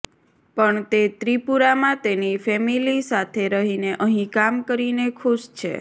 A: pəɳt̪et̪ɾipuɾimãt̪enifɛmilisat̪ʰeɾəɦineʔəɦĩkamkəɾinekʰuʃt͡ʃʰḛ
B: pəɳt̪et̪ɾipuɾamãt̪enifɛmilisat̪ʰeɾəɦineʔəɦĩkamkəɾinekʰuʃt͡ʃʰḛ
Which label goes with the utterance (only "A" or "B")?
B